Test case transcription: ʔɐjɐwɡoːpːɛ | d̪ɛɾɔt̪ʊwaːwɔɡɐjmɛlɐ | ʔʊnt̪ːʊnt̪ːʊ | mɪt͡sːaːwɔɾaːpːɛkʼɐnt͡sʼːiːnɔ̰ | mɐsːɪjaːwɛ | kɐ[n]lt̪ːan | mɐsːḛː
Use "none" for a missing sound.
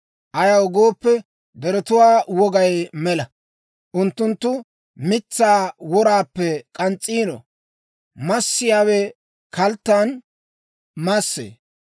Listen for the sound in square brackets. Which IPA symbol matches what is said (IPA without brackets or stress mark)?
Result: none